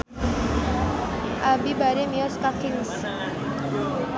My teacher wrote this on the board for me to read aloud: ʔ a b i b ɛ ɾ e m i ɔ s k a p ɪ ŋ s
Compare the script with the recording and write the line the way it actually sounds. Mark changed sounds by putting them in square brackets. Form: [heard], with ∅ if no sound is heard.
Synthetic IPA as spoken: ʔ a b i b [a] ɾ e m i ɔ s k a [k] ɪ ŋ s